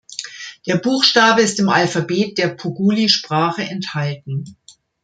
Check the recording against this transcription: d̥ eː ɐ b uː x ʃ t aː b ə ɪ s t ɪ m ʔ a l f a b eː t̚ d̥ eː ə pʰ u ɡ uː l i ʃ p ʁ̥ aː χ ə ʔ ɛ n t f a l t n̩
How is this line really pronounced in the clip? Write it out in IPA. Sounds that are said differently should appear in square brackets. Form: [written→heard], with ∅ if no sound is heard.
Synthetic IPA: d̥ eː ɐ b uː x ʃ t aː b ə ɪ s t ɪ m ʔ a l f a b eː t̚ d̥ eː [ə→ɐ] pʰ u ɡ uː l i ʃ p ʁ̥ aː χ ə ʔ ɛ n t [f→h] a l t n̩